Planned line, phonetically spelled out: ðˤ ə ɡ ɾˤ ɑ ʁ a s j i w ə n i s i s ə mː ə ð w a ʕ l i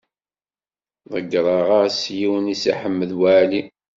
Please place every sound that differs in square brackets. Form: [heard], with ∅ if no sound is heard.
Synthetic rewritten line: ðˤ ə ɡ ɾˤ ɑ ʁ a s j i w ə n i s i [ħ] ə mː ə ð w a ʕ l i